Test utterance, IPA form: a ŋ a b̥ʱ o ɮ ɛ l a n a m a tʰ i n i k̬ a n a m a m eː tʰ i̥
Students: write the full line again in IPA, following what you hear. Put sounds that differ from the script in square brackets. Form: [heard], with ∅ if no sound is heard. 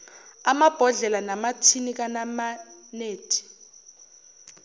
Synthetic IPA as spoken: a [m] a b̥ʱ [ɔ] ɮ ɛ l a n a m a tʰ i n i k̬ a n a m a [n] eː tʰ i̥